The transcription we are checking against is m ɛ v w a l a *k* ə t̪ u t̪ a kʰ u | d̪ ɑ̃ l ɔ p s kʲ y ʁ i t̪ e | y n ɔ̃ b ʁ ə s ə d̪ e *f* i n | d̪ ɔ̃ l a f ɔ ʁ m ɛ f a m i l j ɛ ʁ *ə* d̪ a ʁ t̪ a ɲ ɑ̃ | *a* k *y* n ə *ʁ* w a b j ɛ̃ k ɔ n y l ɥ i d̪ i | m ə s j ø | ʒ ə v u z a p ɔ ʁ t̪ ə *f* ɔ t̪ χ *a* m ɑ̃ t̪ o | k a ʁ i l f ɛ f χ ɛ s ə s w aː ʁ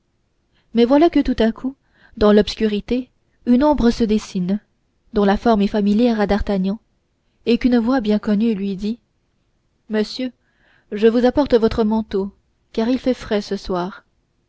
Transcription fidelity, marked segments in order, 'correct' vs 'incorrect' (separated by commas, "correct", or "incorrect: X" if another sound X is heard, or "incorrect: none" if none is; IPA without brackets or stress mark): correct, incorrect: s, incorrect: a, incorrect: e, correct, incorrect: v, incorrect: v, incorrect: ə